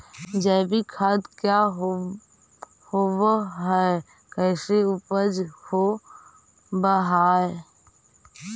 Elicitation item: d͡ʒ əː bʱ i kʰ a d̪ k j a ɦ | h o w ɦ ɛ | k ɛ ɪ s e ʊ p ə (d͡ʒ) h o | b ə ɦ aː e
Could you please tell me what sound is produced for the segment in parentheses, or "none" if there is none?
d͡ʒ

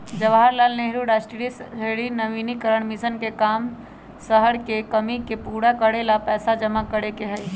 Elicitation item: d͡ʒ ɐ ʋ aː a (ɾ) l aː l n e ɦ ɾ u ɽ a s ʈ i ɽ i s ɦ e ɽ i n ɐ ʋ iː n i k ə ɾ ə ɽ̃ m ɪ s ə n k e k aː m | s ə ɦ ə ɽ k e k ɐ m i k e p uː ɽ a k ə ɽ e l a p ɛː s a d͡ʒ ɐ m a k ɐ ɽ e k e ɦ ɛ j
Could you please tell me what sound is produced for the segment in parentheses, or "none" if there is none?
ɾ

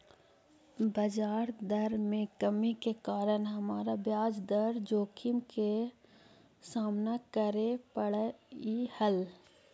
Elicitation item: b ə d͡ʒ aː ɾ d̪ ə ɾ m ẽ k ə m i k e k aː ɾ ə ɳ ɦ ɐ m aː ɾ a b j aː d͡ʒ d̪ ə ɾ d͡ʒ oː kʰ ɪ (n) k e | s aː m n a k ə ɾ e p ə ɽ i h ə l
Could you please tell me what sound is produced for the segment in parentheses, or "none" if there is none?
m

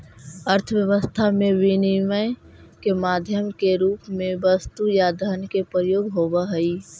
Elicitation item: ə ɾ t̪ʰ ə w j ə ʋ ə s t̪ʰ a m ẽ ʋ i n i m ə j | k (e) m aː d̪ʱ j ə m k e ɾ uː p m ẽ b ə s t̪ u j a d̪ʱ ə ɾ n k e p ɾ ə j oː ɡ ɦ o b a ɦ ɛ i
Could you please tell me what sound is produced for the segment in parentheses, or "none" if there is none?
e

